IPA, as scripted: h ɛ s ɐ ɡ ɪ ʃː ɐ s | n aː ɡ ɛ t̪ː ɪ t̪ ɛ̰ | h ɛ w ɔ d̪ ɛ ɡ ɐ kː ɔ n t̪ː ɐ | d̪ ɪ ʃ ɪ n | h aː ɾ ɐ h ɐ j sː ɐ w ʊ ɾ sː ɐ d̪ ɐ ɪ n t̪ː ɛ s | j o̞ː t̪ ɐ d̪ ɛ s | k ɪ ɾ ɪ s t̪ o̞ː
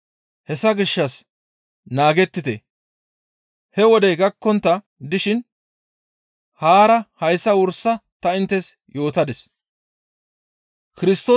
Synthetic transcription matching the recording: h ɛ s ɐ ɡ ɪ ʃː ɐ s | n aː ɡ ɛ t̪ː ɪ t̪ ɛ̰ | h ɛ w ɔ d̪ ɛ ɡ ɐ kː ɔ n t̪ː ɐ | d̪ ɪ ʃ ɪ n | h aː ɾ ɐ h ɐ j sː ɐ w ʊ ɾ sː ɐ t̪ ɐ ɪ n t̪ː ɛ s | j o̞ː t̪ ɐ d̪ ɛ s | k ɪ ɾ ɪ s t̪ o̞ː